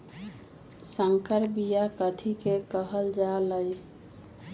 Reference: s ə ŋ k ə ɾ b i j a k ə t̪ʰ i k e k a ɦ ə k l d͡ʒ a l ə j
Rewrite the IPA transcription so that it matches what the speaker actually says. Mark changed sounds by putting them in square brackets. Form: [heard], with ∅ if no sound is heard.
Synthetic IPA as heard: s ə ŋ k ə ɾ b i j a k ə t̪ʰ i k e k [ə] ɦ ə [∅] l d͡ʒ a l ə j

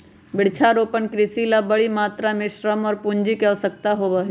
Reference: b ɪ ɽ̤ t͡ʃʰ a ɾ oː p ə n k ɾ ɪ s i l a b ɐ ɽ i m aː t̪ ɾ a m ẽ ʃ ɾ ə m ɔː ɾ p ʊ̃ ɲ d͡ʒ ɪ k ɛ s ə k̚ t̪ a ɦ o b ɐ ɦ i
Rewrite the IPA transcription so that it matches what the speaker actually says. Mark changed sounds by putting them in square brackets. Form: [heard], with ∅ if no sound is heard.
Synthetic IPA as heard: b ɪ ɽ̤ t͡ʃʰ a ɾ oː p ə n k ɾ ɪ s i l a b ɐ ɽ i m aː t̪ ɾ a m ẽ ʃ ɾ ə m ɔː ɾ p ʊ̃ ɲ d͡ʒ [i] k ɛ s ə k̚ t̪ a ɦ o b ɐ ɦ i

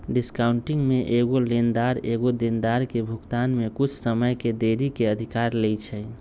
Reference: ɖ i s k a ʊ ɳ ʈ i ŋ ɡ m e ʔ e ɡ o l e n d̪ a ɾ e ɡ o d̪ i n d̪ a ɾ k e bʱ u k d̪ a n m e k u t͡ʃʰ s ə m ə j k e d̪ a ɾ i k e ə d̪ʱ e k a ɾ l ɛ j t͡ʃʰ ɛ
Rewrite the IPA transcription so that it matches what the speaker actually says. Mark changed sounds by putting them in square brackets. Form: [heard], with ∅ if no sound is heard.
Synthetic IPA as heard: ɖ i s k a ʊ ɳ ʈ i ŋ ɡ m e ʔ e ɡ o l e n d̪ a ɾ e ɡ o d̪ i n d̪ a ɾ k e bʱ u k [t̪] a n m e k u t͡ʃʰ s ə m ə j k e d̪ [e] ɾ i k e ə d̪ʱ [i] k a ɾ l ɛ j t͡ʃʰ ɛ

